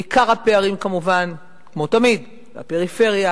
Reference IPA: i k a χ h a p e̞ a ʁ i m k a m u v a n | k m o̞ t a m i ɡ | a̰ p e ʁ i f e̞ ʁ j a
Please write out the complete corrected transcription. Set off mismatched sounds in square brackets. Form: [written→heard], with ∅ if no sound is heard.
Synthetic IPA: i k a [χ→ʁ] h a p e̞ a ʁ i m k a m u v a n | k m o̞ t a m i [ɡ→d] | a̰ p e ʁ i f e̞ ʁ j a